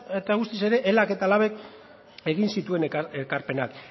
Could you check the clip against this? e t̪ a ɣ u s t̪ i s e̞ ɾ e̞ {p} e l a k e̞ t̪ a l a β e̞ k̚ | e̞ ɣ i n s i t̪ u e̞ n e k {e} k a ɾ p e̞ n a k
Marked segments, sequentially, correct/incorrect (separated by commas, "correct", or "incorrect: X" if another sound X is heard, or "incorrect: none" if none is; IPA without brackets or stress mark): incorrect: ʔ, correct